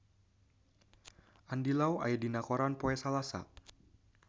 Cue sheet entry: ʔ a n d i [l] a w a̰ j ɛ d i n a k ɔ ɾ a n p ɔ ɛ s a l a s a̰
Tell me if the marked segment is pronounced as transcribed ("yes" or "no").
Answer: yes